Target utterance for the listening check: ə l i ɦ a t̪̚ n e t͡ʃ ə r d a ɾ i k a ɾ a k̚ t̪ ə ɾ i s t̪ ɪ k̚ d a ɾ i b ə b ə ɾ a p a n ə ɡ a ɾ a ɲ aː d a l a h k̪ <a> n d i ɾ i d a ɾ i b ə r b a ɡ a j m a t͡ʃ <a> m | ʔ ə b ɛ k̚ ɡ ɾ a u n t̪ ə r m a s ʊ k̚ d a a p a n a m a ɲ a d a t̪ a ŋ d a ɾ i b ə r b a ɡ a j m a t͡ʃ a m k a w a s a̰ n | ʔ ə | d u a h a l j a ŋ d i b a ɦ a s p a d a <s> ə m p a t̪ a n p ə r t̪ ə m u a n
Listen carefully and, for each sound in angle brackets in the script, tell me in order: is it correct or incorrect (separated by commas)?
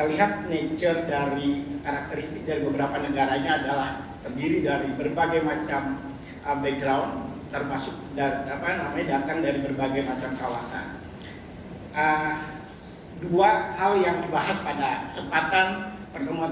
incorrect, correct, correct